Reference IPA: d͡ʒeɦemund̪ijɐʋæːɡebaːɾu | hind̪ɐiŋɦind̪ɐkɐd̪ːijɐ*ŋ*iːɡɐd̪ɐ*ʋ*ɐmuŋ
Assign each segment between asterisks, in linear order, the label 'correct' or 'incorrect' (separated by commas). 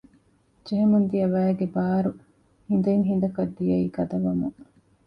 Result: incorrect, correct